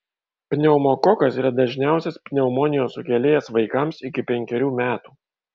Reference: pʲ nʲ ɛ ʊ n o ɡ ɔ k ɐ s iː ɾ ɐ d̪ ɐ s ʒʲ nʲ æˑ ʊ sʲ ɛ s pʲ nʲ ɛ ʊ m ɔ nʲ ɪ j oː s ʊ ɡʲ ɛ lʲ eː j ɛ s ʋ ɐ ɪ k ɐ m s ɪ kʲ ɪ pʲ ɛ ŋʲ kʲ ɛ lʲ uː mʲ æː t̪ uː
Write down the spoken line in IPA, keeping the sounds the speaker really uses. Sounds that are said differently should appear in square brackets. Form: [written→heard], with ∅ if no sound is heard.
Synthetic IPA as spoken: pʲ nʲ ɛ ʊ [n→m] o [ɡ→k] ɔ k ɐ s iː ɾ ɐ d̪ ɐ [s→∅] ʒʲ nʲ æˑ ʊ sʲ ɛ s pʲ nʲ ɛ ʊ m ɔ nʲ ɪ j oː s ʊ [ɡʲ→kʲ] ɛ lʲ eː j ɛ s ʋ ɐ ɪ k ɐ m s ɪ kʲ ɪ pʲ ɛ ŋʲ kʲ ɛ [lʲ→ɾʲ] uː mʲ æː t̪ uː